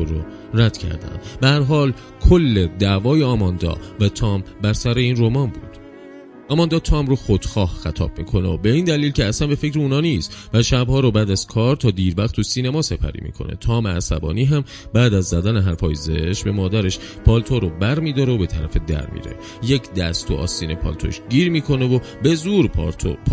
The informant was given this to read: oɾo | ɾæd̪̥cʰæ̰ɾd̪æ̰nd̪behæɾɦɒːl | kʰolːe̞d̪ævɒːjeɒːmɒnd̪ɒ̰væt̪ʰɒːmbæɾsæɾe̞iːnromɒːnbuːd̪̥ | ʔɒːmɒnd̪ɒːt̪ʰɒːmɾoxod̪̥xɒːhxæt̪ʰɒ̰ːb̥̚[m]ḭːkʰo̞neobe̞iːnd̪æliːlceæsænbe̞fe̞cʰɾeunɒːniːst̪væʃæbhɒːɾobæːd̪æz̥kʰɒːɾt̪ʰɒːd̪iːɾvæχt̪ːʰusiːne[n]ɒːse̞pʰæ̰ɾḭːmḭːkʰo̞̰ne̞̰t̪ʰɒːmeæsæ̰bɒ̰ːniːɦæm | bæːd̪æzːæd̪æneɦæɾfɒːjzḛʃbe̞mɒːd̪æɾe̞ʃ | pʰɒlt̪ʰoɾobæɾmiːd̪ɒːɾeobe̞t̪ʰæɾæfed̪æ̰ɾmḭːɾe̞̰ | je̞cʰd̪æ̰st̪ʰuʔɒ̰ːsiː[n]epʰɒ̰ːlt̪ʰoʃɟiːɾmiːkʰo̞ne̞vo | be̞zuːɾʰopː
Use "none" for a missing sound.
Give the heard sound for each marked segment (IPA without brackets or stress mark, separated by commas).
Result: m, m, n